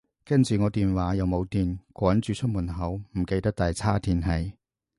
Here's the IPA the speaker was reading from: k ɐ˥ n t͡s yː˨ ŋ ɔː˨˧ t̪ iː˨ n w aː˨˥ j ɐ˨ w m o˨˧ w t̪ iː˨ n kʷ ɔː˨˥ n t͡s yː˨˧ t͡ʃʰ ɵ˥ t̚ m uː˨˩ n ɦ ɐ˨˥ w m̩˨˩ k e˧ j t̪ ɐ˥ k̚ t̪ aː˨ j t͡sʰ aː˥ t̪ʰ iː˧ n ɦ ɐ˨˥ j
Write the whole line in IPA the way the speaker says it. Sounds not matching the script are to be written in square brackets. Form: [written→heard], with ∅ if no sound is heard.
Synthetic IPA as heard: k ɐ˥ n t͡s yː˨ ŋ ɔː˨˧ t̪ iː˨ n w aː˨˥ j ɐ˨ w m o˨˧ w t̪ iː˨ n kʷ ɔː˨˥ n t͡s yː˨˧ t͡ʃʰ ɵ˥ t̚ m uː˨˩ n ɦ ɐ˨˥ w m̩˨˩ k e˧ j t̪ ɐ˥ k̚ t̪ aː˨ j t͡sʰ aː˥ t̪ʰ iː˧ n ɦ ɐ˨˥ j